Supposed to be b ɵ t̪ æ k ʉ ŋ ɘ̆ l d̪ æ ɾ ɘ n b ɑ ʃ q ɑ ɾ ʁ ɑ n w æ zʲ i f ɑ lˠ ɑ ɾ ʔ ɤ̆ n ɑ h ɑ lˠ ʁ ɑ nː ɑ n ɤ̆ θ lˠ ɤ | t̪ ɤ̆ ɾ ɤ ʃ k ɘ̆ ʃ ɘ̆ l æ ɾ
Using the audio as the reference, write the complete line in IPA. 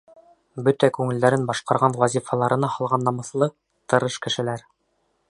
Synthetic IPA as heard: b ɵ t̪ æ k ʉ ŋ ɘ̆ l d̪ æ ɾ ɘ n b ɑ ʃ q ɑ ɾ ʁ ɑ n w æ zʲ i f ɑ lˠ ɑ ɾ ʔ ɤ̆ n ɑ h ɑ lˠ ʁ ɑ nː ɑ m ɤ̆ θ lˠ ɤ | t̪ ɤ̆ ɾ ɤ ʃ k ɘ̆ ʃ ɘ̆ l æ ɾ